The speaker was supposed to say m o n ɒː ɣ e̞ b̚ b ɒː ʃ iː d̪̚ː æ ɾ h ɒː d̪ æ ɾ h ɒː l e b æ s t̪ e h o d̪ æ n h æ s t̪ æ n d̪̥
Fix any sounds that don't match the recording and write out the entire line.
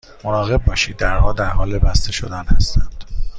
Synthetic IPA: m o n ɒː ɣ e̞ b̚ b ɒː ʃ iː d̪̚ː æ ɾ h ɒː d̪ æ ɾ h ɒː l e b æ s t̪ e ʃ o d̪ æ n h æ s t̪ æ n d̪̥

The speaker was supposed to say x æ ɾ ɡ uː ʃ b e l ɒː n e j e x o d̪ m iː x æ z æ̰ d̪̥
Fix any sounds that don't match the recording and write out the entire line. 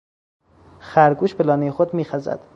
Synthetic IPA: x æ ɾ ɡ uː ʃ b e l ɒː n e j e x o d̪ m iː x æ z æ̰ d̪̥

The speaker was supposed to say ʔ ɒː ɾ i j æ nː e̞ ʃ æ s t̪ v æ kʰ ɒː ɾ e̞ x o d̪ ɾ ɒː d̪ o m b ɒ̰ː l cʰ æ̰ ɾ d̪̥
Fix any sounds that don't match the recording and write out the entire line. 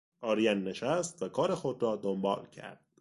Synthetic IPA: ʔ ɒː ɾ i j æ nː e̞ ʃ æ s t̪ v æ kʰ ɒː ɾ e̞ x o d̪ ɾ ɒː d̪ o m b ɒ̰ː l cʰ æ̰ ɾ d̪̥

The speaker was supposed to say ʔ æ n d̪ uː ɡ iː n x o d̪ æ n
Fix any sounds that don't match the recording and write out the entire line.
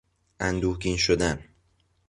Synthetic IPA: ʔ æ n d̪ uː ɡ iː n ʃ o d̪ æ n

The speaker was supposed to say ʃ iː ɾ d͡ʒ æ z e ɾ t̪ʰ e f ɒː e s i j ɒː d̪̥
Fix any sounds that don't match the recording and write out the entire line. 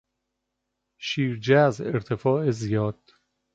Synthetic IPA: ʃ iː ɾ d͡ʒ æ z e ɾ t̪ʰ e f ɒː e z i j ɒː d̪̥

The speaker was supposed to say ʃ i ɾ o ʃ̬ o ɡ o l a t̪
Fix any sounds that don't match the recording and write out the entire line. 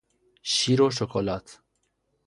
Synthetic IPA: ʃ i ɾ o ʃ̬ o k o l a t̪

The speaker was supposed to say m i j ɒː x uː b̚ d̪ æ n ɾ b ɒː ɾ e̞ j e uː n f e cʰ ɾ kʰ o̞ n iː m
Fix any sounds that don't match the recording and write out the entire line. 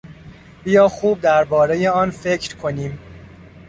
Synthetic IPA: b i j ɒː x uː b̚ d̪ æ ɾ b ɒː ɾ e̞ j e ɒː n f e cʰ ɾ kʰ o̞ n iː m

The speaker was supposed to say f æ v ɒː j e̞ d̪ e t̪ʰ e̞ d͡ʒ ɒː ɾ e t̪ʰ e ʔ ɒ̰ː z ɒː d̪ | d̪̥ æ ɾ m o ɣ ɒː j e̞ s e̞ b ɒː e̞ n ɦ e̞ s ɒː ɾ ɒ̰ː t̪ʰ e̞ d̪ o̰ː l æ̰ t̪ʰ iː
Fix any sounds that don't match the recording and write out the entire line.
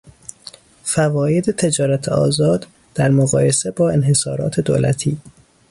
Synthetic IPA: f æ v ɒː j e̞ d̪ e t̪ʰ e̞ d͡ʒ ɒː ɾ æ t̪ʰ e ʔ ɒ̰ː z ɒː d̪ | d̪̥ æ ɾ m o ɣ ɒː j e̞ s e̞ b ɒː e̞ n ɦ e̞ s ɒː ɾ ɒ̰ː t̪ʰ e̞ d̪ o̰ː l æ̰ t̪ʰ iː

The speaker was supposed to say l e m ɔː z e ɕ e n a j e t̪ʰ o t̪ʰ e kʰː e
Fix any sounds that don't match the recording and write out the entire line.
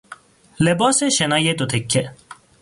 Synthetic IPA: l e b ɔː s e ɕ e n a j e t̪ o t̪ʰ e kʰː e

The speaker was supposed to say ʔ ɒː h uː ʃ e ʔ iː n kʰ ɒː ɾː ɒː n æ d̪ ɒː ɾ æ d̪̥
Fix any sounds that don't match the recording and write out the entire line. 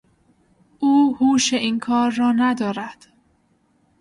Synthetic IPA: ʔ uː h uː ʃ e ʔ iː n kʰ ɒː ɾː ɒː n æ d̪ ɒː ɾ æ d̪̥

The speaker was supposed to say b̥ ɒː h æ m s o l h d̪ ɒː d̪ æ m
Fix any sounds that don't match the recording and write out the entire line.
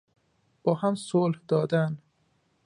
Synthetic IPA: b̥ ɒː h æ m s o l h d̪ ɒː d̪ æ n

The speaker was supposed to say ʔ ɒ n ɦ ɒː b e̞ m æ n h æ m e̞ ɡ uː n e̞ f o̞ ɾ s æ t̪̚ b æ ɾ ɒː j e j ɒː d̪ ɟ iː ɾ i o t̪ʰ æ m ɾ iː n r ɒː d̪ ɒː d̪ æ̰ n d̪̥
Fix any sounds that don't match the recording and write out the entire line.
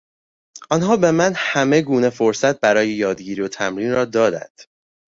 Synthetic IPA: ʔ ɒ n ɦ ɒː b e̞ m æ n h æ m e̞ ɡ uː n e̞ f o̞ ɾ s æ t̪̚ b æ ɾ ɒː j e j ɒː d̪ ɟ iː ɾ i o t̪ʰ æ m ɾ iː n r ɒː d̪ ɒː d̪ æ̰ n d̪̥

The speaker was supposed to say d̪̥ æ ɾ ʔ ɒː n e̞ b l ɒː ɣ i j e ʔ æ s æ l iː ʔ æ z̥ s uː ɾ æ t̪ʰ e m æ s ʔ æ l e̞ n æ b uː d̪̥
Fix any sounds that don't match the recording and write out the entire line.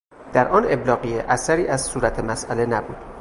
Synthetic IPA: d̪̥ æ ɾ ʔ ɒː n e̞ b l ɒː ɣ i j e ʔ æ s æ ɾ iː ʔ æ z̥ s uː ɾ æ t̪ʰ e m æ s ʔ æ l e̞ n æ b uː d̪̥

